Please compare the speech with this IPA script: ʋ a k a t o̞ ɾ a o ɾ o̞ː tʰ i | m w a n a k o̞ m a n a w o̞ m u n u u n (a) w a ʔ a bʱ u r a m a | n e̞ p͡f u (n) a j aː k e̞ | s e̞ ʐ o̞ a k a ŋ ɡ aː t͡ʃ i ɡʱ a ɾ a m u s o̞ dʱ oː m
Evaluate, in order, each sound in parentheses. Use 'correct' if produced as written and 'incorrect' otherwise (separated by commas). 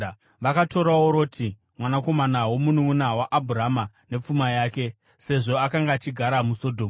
correct, incorrect